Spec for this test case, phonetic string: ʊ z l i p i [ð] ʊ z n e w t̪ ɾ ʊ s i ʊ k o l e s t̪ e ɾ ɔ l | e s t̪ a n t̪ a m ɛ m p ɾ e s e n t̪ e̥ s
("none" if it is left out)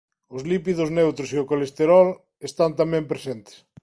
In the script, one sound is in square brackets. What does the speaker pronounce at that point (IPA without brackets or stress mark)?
ð